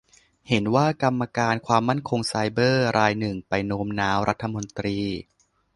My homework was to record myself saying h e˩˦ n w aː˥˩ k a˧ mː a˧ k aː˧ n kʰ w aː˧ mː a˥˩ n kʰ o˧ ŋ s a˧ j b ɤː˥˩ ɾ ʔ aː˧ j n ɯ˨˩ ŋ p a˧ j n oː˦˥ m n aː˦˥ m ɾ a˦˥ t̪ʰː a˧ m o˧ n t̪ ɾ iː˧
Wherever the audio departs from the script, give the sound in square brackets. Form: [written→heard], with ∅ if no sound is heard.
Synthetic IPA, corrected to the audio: h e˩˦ n w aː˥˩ k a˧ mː a˧ k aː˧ n kʰ w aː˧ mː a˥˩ n kʰ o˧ ŋ s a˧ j b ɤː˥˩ ɾ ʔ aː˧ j n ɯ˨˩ ŋ p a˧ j n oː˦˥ m n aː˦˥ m ɾ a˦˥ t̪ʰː a˧ m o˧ n t̪ ɾ iː˧